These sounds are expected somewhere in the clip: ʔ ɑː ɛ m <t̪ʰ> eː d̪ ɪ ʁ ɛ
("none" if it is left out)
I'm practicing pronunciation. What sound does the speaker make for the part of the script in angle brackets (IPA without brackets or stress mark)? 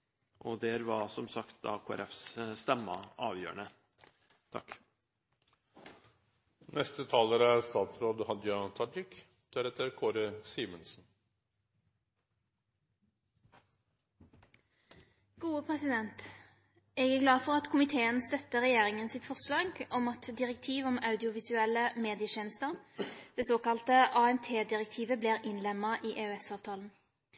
t̪ʰ